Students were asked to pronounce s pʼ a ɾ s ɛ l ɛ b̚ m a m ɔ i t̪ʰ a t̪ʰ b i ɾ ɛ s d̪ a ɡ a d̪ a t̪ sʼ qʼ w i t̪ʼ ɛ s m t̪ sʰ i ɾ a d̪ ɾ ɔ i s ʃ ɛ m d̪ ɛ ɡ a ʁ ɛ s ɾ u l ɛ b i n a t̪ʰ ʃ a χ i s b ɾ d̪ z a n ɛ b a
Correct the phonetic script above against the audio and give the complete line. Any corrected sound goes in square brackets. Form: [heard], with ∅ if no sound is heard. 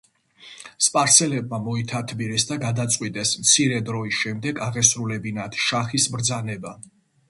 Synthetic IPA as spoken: s pʼ a ɾ s ɛ l ɛ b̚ m a m ɔ i t̪ʰ a t̪ʰ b i ɾ ɛ s d̪ a ɡ a d̪ a t̪ sʼ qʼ w i t̪ʼ ɛ s m t̪ sʰ i ɾ [ɛ] d̪ ɾ ɔ i s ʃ ɛ m d̪ ɛ ɡ a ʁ ɛ s ɾ u l ɛ b i n a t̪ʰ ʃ a χ i s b ɾ d̪ z a n ɛ b a